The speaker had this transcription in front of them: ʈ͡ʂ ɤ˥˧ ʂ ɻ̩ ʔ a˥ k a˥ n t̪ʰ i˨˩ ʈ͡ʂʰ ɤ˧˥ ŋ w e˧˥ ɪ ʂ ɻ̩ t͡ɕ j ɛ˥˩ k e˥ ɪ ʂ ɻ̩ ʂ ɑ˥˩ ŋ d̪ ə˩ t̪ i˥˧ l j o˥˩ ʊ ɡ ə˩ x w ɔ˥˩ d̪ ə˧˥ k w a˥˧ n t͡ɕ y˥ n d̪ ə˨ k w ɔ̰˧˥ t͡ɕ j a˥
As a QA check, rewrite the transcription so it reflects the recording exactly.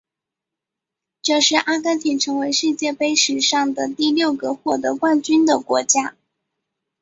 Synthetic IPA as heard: ʈ͡ʂ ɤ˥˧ ʂ ɻ̩ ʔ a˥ k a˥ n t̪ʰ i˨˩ ʈ͡ʂʰ ɤ˧˥ ŋ w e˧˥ ɪ ʂ ɻ̩ t͡ɕ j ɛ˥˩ p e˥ ɪ ʂ ɻ̩ ʂ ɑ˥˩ ŋ d̪ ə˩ t̪ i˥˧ l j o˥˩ ʊ ɡ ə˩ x w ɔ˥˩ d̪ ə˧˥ k w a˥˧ n t͡ɕ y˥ n d̪ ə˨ k w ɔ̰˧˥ t͡ɕ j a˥

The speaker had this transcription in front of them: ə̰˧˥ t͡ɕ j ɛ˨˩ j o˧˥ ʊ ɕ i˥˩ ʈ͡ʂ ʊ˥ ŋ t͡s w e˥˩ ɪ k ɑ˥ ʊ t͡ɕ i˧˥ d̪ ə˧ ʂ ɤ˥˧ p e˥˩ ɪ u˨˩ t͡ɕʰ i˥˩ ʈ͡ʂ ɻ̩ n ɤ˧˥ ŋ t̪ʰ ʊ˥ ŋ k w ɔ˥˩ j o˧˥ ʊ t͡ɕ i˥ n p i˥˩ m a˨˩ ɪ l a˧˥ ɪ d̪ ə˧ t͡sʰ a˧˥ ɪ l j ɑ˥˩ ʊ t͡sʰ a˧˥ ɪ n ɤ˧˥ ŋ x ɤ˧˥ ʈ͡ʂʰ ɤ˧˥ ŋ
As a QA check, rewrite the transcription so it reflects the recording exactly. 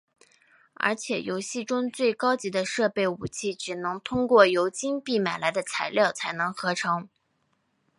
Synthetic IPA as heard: ə̰˧˥ t͡ɕʰ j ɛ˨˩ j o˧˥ ʊ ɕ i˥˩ ʈ͡ʂ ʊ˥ ŋ t͡s w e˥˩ ɪ k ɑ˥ ʊ t͡ɕ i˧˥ d̪ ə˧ ʂ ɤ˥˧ p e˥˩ ɪ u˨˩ t͡ɕʰ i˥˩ ʈ͡ʂ ɻ̩ n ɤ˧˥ ŋ t̪ʰ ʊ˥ ŋ k w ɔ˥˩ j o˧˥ ʊ t͡ɕ i˥ n p i˥˩ m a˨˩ ɪ l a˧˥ ɪ d̪ ə˧ t͡sʰ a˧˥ ɪ l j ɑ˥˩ ʊ t͡sʰ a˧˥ ɪ n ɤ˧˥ ŋ x ɤ˧˥ ʈ͡ʂʰ ɤ˧˥ ŋ

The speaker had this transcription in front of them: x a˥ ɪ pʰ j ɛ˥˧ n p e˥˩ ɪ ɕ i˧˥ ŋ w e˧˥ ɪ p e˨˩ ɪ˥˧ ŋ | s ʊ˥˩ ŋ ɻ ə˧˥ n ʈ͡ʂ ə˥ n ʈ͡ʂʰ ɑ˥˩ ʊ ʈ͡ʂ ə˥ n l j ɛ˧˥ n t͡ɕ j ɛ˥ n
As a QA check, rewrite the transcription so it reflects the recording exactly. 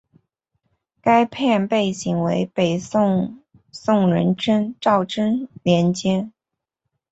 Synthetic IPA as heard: k a˥ ɪ pʰ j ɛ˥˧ n p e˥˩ ɪ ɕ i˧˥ ŋ w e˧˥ ɪ p e˨˩ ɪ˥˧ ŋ | s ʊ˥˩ ŋ ɻ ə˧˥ n ʈ͡ʂ ə˥ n ʈ͡ʂ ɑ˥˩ ʊ ʈ͡ʂ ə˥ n l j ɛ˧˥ n t͡ɕ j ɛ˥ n

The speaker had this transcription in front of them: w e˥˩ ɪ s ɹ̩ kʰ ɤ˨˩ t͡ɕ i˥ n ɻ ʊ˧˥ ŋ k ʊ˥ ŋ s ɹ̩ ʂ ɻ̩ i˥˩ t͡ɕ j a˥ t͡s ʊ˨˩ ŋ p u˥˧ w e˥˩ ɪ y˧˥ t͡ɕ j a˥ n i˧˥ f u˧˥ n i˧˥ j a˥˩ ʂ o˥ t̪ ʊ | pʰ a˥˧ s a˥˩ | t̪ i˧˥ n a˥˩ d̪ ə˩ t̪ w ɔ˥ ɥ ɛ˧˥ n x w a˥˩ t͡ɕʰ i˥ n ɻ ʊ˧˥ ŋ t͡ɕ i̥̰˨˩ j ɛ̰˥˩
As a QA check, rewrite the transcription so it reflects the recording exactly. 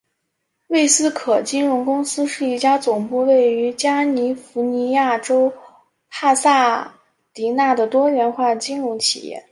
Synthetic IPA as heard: w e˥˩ ɪ s ɹ̩ kʰ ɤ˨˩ t͡ɕ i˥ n ɻ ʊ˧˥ ŋ k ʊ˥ ŋ s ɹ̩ ʂ ɻ̩ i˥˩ t͡ɕ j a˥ t͡s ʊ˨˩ ŋ p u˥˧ w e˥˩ ɪ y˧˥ t͡ɕ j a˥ n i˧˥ f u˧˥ n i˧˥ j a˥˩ ʈ͡ʂ o˥ ʊ | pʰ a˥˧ s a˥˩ | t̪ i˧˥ n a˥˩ d̪ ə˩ t̪ w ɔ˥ ɥ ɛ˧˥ n x w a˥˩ t͡ɕ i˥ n ɻ ʊ˧˥ ŋ t͡ɕʰ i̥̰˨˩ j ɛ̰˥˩

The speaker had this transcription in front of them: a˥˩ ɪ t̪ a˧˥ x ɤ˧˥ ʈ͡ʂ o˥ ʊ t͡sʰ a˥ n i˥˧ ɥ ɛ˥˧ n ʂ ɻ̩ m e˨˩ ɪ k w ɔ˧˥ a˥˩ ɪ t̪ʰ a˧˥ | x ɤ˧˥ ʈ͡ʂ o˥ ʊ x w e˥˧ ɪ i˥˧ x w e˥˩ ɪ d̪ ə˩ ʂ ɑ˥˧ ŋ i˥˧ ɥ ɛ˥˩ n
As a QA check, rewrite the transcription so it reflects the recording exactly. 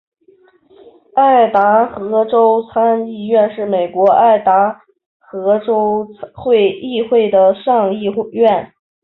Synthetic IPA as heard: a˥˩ ɪ t̪ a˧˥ x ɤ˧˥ ʈ͡ʂ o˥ ʊ t͡sʰ a˥ n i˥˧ ɥ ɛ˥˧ n ʂ ɻ̩ m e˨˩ ɪ k w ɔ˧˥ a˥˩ ɪ t̪ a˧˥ | x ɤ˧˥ ʈ͡ʂ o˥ ʊ x w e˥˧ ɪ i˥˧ x w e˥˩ ɪ d̪ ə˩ ʂ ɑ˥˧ ŋ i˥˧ ɥ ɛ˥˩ n

